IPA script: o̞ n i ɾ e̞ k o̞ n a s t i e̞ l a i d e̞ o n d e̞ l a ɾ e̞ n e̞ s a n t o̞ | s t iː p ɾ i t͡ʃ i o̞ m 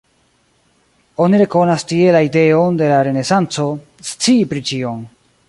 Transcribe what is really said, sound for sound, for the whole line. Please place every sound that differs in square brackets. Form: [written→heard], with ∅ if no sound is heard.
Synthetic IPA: o̞ n i ɾ e̞ k o̞ n a s t i e̞ l a i d e̞ o n d e̞ l a ɾ e̞ n e̞ s a n [t→t͡s] o̞ | s [t→t͡s] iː p ɾ i t͡ʃ i o̞ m